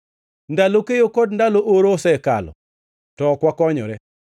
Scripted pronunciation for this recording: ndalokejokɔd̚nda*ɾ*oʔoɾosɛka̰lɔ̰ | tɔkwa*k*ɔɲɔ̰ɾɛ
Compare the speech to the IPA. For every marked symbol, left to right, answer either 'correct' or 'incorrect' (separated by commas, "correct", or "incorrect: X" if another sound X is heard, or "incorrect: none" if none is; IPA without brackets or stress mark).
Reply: incorrect: l, correct